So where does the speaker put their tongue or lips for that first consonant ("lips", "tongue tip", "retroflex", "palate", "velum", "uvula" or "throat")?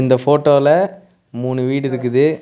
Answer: tongue tip